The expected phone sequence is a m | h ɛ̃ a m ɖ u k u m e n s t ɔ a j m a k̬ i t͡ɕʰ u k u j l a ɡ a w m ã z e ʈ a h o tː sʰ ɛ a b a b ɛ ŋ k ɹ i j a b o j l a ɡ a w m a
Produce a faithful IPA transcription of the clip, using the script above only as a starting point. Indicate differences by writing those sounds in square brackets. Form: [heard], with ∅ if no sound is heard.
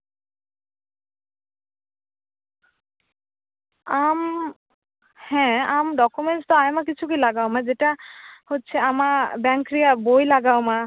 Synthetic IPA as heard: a m | h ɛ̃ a m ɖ [ɔ] k u m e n s t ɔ a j m a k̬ i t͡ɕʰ u k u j l a ɡ a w m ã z e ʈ a h o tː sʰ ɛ a [m] a b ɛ ŋ k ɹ i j a b o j l a ɡ a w m a